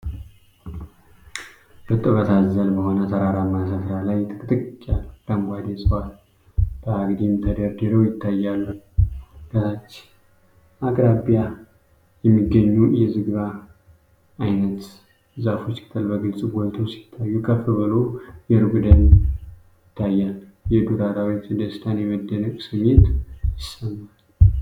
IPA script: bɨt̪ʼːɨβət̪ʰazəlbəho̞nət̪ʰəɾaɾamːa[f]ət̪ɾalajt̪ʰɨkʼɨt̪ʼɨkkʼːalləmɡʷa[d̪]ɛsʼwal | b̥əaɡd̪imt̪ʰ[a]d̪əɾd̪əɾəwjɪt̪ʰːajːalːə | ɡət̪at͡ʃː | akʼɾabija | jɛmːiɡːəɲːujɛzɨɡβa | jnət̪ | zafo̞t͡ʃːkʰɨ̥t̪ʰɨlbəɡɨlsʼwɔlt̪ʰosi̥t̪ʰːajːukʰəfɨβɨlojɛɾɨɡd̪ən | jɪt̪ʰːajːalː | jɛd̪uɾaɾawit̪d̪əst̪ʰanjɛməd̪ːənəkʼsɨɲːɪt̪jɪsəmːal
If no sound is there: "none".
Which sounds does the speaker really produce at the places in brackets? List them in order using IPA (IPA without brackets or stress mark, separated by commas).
s, d̪, ə